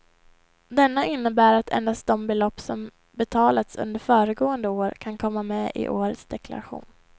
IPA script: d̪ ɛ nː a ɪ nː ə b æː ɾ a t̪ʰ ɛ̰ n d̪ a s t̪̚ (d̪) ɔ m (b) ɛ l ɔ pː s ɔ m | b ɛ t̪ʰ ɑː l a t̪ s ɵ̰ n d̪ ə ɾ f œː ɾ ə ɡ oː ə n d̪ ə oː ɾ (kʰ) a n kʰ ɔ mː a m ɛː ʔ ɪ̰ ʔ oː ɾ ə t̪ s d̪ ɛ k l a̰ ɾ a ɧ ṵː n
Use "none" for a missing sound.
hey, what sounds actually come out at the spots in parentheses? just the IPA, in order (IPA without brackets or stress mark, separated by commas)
d̪, b, kʰ